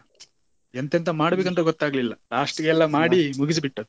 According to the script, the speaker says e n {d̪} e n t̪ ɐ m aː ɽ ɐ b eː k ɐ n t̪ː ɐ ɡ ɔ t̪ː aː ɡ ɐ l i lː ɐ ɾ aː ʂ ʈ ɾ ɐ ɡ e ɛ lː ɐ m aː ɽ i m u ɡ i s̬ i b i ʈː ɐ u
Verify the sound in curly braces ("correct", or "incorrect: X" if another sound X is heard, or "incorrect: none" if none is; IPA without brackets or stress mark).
incorrect: t̪